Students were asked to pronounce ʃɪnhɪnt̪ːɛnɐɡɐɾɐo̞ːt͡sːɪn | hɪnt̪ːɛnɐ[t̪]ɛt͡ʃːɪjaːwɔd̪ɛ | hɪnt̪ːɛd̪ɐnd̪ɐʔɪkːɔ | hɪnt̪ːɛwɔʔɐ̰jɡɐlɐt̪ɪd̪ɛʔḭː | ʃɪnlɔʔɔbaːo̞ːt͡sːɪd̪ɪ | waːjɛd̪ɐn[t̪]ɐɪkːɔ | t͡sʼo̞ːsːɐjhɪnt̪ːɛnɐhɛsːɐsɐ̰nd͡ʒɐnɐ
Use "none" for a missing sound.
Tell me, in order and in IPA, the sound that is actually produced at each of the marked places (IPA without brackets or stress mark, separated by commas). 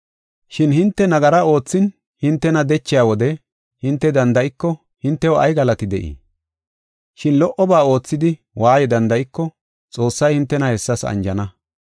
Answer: d̪, d̪